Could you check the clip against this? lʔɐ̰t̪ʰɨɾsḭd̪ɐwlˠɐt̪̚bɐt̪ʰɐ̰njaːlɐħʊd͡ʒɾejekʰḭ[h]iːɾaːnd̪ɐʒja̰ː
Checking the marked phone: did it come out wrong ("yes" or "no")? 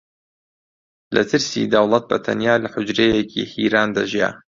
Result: no